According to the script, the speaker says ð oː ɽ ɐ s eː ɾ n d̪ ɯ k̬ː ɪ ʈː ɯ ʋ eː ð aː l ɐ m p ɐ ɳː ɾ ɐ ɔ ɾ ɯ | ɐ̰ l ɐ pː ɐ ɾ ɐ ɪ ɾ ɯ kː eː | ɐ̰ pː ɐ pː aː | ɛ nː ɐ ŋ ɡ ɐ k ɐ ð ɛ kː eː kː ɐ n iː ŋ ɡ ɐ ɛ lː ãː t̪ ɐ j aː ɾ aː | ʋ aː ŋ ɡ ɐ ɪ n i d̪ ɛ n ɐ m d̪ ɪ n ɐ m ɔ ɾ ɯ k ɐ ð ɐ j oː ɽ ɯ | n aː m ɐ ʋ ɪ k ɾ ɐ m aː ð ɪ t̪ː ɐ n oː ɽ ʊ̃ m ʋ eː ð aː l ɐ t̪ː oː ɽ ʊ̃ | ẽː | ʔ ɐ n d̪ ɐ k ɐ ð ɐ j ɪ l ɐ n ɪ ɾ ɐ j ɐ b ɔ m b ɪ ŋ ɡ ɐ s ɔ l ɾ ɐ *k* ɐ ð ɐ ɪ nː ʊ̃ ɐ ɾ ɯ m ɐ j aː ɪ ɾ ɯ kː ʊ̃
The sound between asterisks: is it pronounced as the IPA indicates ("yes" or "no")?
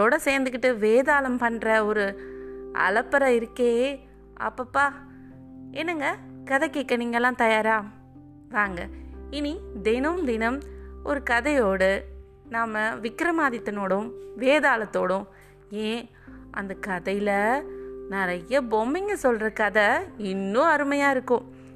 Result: yes